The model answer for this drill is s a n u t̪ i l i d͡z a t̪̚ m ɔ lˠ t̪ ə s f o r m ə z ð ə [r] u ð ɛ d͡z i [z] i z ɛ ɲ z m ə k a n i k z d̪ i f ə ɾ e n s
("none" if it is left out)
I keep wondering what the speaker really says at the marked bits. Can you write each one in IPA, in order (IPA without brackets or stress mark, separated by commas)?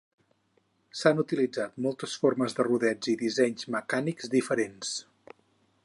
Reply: r, ð